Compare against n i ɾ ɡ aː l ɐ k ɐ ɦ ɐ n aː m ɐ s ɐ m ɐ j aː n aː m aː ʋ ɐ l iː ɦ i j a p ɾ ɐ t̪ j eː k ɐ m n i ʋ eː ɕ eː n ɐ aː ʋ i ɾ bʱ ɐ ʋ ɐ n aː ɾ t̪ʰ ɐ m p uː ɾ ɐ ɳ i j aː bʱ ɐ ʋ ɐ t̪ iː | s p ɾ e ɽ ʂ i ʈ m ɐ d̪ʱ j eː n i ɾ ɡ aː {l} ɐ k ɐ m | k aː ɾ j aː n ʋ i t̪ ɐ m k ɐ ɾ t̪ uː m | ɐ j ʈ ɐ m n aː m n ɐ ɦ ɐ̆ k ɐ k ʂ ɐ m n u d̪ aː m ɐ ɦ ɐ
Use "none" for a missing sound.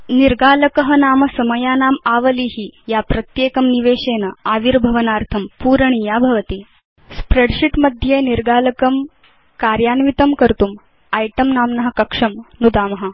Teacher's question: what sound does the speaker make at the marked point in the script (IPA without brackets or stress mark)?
l